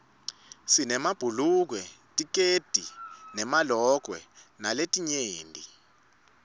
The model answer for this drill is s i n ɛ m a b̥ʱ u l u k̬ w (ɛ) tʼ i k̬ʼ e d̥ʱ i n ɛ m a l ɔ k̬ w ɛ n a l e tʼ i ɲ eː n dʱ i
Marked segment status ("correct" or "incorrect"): correct